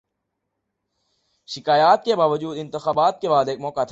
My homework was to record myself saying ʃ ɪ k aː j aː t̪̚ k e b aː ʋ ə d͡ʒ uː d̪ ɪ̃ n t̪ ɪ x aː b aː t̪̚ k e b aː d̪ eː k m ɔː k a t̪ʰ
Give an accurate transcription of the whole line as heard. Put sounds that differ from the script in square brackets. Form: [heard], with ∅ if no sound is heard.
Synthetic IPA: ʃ ɪ k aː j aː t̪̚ k e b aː ʋ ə d͡ʒ uː d̪ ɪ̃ n t̪ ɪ x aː b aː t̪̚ k e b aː d̪ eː k m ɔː k a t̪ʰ